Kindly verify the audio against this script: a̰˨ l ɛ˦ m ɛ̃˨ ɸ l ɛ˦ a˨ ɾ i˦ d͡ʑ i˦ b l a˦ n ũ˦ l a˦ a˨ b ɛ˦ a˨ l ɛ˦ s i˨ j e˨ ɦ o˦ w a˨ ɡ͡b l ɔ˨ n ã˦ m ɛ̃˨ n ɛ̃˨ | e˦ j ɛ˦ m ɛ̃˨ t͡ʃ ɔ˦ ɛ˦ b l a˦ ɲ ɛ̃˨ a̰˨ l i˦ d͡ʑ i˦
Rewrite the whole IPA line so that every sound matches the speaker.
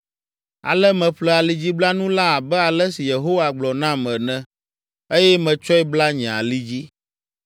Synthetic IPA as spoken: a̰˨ l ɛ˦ m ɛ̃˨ ɸ l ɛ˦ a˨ l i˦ d͡ʑ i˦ b l a˦ n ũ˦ l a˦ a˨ b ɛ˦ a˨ l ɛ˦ s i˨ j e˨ ɦ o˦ w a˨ ɡ͡b l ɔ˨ n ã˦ m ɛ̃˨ n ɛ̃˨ | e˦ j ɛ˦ m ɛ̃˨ t͡ʃ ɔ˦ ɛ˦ b l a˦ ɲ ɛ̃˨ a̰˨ l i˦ d͡ʑ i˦